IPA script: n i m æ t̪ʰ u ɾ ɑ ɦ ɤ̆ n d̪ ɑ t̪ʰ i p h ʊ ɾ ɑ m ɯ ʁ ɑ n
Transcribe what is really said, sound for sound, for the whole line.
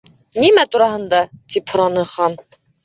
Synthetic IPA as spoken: n i m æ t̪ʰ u ɾ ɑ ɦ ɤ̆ n d̪ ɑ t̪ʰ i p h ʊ ɾ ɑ n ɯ χ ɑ n